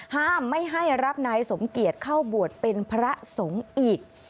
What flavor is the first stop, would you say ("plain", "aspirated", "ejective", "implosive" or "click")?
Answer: plain